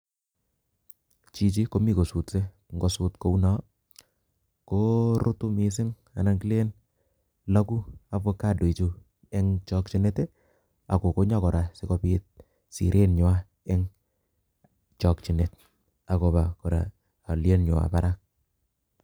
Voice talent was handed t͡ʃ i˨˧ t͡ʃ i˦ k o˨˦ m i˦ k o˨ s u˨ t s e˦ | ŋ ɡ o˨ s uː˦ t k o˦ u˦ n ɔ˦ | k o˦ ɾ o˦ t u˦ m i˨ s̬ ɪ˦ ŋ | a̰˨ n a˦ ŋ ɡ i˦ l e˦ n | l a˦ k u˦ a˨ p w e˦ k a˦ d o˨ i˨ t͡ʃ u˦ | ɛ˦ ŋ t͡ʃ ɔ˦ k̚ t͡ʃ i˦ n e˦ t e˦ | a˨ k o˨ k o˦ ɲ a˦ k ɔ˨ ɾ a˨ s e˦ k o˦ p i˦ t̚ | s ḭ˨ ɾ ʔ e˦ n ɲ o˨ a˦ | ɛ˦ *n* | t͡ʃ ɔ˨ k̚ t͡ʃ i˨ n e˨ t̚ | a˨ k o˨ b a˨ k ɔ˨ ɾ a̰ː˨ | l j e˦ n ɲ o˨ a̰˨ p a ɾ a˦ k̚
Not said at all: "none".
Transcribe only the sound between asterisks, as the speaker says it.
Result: ŋ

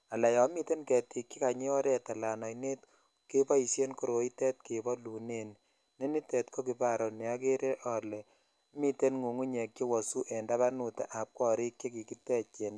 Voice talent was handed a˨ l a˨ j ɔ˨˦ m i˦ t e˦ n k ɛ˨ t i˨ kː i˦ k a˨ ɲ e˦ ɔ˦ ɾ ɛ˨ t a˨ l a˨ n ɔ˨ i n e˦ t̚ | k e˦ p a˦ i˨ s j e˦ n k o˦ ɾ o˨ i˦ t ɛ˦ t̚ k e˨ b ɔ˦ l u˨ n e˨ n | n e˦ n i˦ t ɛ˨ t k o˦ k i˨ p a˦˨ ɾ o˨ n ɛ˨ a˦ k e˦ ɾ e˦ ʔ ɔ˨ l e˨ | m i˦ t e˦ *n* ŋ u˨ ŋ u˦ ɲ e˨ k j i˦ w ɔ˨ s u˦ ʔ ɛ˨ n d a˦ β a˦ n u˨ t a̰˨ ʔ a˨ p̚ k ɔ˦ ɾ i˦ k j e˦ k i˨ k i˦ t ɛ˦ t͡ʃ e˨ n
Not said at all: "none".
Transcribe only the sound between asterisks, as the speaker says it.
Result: n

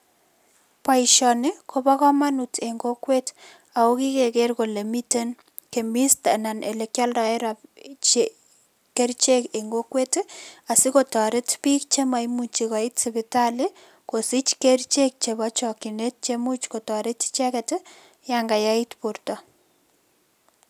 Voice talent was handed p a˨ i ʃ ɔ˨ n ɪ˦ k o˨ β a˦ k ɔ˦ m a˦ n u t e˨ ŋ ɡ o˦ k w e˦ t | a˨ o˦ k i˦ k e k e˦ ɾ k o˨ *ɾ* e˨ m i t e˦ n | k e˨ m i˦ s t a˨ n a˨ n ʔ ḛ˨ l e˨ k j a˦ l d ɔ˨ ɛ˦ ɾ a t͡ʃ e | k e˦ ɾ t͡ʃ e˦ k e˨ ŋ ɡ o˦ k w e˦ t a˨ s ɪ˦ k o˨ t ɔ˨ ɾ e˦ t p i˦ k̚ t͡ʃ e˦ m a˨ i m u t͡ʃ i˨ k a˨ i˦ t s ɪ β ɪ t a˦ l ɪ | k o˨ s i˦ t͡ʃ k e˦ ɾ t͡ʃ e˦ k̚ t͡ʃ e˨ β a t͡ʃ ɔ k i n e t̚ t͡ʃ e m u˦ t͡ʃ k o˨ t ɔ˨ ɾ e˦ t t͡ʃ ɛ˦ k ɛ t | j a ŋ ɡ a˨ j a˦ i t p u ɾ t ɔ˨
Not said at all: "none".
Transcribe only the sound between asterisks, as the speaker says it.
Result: l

